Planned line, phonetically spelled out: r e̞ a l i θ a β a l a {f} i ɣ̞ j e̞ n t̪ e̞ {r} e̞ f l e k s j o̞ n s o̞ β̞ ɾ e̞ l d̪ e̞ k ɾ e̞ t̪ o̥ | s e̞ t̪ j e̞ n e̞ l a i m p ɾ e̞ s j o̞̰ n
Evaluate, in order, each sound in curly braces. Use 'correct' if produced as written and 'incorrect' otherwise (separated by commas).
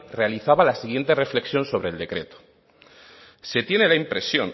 incorrect, correct